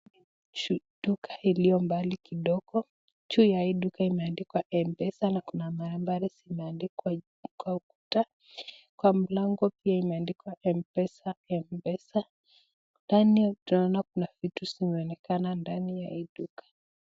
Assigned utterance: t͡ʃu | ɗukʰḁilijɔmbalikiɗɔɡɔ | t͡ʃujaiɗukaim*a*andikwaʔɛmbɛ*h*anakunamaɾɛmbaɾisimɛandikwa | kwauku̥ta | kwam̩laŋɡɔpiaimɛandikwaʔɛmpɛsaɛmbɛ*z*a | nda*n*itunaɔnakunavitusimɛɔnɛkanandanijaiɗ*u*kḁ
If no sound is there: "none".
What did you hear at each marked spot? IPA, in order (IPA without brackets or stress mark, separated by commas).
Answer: ɛ, s, s, n, u